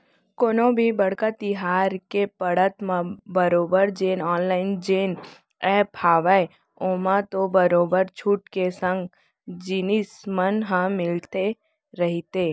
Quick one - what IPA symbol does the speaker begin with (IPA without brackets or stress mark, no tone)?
k